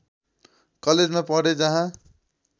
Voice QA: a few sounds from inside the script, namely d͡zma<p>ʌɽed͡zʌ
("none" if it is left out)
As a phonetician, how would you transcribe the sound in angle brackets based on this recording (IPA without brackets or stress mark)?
p